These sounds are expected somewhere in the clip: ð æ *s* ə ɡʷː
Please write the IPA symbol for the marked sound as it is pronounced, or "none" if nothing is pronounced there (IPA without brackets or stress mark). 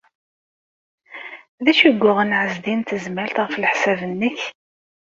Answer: ʃ